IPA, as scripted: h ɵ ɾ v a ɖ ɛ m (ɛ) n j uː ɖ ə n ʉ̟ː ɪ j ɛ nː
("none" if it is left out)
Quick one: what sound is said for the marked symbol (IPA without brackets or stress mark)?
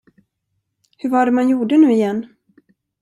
a